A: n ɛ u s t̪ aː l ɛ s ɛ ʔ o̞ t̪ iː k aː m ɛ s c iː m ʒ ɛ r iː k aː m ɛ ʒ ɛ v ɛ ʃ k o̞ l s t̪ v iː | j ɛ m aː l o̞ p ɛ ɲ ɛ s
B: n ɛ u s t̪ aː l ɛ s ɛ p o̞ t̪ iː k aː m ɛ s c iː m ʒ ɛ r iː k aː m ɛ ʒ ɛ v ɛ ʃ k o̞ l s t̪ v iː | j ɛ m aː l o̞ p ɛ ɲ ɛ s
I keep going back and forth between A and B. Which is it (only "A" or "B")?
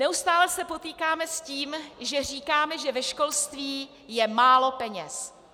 B